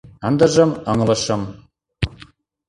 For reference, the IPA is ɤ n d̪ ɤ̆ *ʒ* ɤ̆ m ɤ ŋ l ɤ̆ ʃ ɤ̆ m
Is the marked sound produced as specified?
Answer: yes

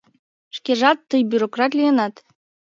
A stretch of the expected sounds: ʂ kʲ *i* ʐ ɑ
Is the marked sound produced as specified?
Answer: no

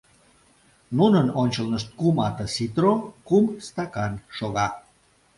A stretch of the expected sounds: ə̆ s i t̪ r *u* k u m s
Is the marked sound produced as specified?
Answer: no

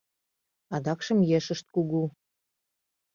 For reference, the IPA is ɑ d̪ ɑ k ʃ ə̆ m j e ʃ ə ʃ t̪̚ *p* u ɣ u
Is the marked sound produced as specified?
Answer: no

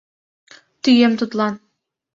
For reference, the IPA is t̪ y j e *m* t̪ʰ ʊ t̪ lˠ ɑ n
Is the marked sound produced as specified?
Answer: yes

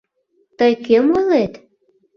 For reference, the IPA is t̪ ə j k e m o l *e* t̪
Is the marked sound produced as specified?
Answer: yes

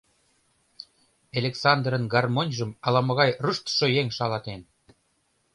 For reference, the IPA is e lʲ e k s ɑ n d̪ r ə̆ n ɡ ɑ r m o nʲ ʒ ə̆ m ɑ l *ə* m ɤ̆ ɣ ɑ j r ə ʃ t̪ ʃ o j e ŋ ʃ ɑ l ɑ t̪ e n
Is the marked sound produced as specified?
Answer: no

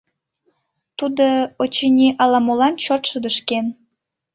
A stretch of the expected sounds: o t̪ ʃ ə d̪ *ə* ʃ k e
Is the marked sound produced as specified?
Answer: yes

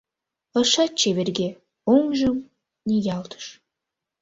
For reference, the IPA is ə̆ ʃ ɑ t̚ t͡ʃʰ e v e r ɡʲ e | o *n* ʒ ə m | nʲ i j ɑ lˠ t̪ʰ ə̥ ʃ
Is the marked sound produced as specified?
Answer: no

